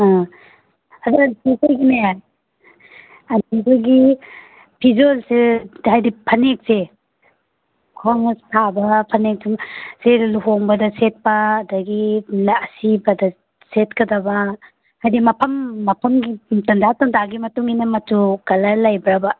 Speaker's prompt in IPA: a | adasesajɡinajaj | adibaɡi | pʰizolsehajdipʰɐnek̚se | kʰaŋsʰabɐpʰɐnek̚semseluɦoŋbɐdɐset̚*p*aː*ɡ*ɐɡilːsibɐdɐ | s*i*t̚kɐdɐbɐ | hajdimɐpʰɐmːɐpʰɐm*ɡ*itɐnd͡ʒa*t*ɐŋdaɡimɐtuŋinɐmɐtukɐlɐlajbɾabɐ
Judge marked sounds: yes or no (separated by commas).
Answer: yes, no, no, yes, yes